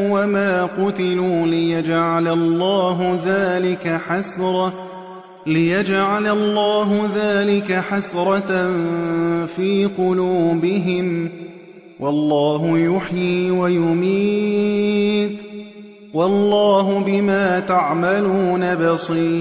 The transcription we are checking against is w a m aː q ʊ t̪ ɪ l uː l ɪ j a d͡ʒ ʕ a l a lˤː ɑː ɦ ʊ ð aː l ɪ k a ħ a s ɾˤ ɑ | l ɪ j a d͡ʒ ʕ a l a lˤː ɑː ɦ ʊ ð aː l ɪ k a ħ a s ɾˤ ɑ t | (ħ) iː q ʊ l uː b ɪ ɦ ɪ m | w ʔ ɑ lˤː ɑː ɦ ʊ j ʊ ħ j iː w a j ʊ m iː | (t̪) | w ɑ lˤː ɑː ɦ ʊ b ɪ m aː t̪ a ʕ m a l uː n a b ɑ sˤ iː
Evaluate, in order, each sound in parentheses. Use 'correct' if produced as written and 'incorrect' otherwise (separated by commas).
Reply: incorrect, correct